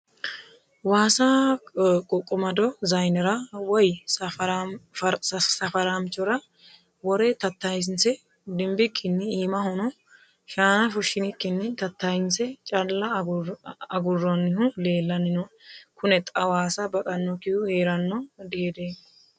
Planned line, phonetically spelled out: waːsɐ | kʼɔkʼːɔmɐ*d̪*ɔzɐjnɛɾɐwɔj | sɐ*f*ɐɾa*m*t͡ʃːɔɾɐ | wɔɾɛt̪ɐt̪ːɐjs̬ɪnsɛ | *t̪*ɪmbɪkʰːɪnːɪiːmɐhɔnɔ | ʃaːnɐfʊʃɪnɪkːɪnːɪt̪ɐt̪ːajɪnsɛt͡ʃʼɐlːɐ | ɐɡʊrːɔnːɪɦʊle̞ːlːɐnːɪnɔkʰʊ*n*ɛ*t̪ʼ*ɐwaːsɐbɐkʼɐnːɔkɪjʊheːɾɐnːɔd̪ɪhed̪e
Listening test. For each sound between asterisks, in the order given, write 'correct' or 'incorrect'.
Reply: correct, correct, correct, incorrect, correct, correct

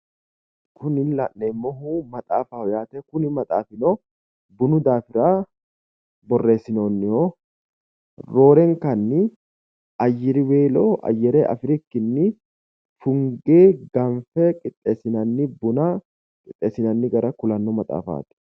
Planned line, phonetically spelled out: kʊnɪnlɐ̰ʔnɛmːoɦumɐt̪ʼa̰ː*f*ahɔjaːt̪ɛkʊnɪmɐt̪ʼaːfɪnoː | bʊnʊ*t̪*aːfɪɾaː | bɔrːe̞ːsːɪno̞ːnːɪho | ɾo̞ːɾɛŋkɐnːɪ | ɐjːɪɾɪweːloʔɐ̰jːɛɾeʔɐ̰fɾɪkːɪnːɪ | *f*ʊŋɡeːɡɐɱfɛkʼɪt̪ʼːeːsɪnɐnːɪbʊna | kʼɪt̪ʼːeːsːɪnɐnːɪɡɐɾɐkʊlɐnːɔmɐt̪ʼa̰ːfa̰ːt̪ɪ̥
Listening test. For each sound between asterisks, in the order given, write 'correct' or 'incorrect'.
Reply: correct, incorrect, correct

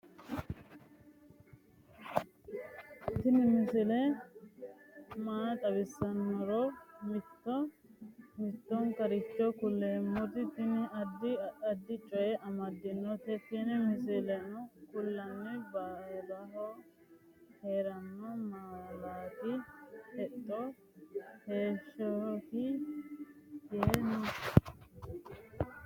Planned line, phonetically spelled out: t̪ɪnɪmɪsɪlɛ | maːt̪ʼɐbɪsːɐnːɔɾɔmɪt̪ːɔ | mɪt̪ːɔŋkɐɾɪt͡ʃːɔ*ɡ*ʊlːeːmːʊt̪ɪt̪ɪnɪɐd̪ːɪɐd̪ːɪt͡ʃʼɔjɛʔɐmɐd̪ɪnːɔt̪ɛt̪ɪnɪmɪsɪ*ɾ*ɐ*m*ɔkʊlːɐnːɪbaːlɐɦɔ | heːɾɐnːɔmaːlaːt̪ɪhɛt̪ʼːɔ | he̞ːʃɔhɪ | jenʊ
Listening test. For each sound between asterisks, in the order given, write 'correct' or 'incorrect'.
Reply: incorrect, incorrect, incorrect

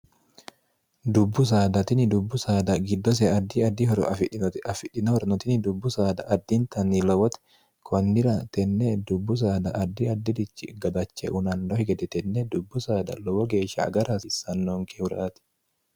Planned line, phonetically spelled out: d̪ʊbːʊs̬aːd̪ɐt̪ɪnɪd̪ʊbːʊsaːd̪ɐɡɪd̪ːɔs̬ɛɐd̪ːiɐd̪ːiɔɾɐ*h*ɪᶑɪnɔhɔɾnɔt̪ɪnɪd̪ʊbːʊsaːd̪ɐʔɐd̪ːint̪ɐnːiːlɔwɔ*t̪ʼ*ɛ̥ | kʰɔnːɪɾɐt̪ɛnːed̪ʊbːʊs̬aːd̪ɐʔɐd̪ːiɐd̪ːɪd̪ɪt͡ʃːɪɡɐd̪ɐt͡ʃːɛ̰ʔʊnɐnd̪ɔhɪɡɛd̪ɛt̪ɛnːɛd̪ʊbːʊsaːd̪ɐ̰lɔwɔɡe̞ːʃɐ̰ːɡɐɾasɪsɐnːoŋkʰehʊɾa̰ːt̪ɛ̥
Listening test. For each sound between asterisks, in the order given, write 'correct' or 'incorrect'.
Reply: incorrect, incorrect

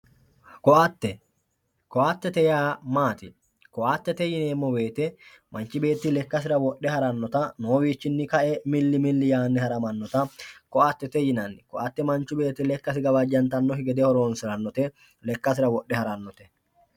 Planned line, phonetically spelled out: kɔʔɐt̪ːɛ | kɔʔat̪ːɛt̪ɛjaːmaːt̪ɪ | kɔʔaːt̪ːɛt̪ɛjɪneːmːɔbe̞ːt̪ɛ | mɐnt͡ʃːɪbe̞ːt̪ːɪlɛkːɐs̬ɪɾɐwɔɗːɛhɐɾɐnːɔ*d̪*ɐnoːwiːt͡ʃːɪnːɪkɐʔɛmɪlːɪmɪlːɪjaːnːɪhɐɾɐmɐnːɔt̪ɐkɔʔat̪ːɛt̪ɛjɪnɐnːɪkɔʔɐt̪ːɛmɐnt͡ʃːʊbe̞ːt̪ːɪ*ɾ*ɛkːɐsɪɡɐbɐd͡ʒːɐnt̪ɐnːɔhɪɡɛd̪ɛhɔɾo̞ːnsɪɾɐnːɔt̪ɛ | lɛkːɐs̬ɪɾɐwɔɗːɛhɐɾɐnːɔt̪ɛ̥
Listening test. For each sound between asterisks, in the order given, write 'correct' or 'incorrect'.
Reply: incorrect, incorrect

